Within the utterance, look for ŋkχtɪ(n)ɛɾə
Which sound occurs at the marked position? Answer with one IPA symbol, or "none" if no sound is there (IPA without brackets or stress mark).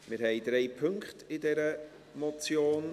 d